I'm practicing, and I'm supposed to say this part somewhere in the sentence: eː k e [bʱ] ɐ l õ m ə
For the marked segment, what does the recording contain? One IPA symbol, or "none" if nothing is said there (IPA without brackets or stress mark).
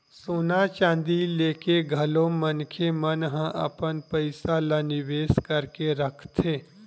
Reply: ɡʱ